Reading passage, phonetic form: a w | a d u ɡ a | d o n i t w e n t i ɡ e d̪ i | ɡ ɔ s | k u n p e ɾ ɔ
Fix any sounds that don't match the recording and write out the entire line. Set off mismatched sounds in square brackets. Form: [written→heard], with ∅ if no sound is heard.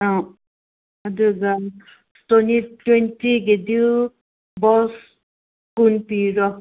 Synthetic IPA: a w | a d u ɡ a | [d→t] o n i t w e n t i ɡ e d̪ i | [ɡ→b] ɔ s | k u n p [e→i] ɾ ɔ